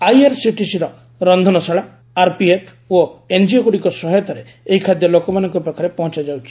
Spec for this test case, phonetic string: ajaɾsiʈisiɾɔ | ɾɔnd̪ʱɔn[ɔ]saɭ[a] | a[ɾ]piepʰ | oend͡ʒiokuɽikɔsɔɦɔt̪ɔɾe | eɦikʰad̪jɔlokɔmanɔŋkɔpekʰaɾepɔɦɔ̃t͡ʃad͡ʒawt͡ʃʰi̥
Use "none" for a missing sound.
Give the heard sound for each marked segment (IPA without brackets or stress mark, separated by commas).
ɔ, a, ɾ